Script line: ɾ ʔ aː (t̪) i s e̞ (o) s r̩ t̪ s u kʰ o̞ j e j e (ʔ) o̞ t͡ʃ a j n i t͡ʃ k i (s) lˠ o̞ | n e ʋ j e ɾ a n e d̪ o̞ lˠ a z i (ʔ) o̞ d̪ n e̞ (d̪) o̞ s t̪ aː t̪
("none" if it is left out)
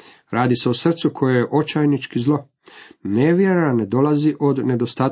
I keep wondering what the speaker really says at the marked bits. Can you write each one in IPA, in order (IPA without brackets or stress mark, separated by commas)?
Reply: d̪, o, ʔ, z, ʔ, d̪